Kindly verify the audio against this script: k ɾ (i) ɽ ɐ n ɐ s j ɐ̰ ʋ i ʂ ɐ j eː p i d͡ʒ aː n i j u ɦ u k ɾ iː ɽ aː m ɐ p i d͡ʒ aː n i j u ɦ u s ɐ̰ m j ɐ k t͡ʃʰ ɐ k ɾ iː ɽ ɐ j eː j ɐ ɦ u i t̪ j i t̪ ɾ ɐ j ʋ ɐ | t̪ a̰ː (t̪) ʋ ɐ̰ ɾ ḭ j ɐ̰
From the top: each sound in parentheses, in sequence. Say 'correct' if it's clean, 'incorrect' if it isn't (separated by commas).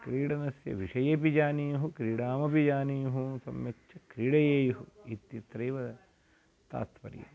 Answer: incorrect, correct